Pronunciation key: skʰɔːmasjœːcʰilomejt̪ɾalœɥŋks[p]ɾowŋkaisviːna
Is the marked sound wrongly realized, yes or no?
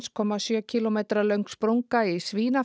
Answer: no